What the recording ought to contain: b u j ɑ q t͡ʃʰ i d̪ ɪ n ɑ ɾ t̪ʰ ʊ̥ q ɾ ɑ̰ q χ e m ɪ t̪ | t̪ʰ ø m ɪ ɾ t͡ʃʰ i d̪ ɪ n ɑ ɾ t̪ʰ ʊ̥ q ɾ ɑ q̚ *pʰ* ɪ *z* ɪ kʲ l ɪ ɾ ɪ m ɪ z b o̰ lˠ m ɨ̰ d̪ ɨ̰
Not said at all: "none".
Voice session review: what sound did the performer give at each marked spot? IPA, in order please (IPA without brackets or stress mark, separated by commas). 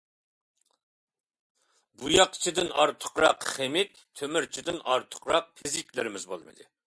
pʰ, z